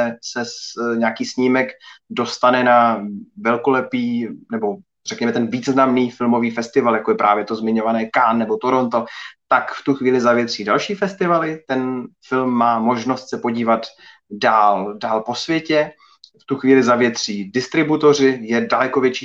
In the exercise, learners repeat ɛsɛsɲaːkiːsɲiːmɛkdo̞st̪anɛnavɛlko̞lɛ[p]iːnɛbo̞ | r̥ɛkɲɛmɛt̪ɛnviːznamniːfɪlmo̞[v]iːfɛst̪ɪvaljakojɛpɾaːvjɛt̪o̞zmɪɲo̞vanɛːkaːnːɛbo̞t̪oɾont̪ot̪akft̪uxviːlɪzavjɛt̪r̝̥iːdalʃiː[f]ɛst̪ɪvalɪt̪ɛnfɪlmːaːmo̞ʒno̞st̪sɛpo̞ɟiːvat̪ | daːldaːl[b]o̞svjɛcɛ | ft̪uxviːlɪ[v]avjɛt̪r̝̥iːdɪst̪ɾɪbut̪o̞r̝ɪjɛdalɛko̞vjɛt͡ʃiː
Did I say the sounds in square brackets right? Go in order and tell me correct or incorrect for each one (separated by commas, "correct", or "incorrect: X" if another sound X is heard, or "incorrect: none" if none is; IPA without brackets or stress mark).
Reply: correct, correct, correct, incorrect: p, incorrect: z